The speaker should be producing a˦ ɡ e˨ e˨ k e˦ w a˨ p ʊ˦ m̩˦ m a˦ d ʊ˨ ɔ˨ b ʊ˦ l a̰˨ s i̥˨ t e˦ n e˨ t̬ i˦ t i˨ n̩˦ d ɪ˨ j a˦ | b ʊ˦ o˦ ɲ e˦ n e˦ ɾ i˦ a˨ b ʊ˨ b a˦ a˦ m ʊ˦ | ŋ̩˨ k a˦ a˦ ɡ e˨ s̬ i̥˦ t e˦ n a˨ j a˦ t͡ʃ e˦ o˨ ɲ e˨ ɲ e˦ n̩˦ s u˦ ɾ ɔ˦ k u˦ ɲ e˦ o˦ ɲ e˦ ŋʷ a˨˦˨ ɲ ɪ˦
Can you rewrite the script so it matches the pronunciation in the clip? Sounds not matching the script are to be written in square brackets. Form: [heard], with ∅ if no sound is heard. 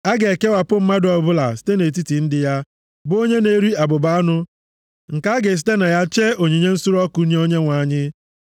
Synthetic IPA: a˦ ɡ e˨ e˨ k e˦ w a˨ p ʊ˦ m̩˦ m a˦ d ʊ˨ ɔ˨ b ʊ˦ l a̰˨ s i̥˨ t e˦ n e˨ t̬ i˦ t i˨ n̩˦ d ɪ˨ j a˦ | b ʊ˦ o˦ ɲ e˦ n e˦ ɾ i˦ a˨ b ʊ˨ b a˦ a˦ [n] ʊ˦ | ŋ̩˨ k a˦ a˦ ɡ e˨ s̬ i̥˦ t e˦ n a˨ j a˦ t͡ʃ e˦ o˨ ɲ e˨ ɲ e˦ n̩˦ s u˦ ɾ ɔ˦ k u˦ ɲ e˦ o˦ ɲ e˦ ŋʷ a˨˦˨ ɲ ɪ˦